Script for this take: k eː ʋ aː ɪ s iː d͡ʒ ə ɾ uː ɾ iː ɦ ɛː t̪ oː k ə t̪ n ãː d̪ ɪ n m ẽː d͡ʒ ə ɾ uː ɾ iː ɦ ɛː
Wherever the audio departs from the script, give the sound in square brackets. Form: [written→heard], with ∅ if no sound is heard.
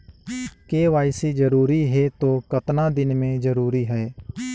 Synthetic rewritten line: k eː ʋ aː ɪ s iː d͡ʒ ə ɾ uː ɾ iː ɦ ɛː t̪ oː k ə t̪ n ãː d̪ ɪ n m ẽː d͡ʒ ə ɾ uː ɾ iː ɦ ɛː